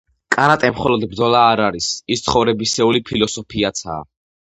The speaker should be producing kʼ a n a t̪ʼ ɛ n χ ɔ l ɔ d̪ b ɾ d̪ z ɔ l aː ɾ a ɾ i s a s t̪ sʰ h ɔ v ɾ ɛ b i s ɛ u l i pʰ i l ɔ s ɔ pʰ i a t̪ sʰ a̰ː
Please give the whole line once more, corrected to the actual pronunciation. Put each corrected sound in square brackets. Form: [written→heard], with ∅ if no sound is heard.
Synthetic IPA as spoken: kʼ a n a t̪ʼ ɛ [n→m] χ ɔ l ɔ d̪ b ɾ d̪ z ɔ l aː ɾ a ɾ i s [a→i] s t̪ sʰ [h→χ] ɔ v ɾ ɛ b i s ɛ u l i pʰ i l ɔ s ɔ pʰ i a t̪ sʰ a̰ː